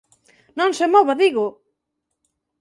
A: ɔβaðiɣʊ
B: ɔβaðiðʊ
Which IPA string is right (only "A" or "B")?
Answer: A